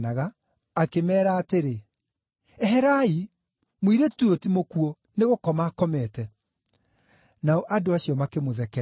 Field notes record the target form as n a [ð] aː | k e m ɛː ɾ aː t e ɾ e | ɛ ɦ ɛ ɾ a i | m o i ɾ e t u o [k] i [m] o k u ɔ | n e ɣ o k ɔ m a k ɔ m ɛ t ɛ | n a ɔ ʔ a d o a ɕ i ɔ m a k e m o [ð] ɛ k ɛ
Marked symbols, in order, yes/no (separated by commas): no, no, yes, yes